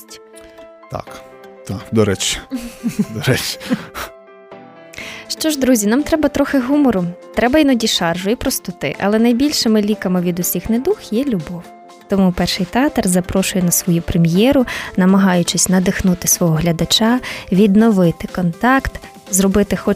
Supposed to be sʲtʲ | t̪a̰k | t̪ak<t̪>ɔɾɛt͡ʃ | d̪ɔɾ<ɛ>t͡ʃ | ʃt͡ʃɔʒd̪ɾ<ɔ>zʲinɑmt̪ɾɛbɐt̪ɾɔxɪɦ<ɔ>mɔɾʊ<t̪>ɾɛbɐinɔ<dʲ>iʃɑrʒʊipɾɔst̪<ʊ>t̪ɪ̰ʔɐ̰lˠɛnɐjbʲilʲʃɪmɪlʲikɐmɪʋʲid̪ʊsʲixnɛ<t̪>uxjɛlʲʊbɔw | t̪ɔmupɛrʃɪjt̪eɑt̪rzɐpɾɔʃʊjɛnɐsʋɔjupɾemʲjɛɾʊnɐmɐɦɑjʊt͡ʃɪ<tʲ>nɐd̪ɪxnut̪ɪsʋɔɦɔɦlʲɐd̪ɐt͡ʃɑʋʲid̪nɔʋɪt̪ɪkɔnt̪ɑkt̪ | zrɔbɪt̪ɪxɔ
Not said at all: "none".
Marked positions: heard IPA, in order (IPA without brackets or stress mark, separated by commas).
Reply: d̪, ɛ, u, u, t̪, dʲ, ʊ, d̪, sʲ